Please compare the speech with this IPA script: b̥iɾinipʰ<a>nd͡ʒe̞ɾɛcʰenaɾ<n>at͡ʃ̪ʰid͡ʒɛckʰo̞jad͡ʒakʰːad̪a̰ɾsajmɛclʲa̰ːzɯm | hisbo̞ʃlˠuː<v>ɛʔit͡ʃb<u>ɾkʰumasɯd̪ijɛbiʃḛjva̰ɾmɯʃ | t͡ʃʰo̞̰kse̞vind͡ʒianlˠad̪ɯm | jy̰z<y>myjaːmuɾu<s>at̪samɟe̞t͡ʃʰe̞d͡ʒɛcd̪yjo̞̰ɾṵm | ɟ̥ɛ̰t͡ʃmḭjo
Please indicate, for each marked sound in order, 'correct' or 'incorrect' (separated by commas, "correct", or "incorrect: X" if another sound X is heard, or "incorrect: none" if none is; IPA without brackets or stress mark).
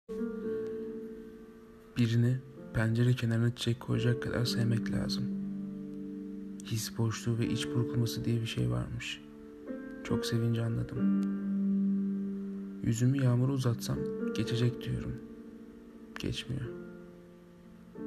incorrect: æ, correct, correct, correct, correct, incorrect: z